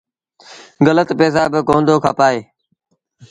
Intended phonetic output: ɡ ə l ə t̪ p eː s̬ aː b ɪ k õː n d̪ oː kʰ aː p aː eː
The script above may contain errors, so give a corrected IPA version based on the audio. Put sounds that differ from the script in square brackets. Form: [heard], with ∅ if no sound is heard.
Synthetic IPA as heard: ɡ ə l ə t̪ p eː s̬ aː b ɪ k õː n d̪ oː kʰ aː p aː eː